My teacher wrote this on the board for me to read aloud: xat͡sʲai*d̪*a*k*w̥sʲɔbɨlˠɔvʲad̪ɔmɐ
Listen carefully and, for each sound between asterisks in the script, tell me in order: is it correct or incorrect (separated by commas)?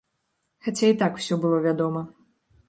incorrect, correct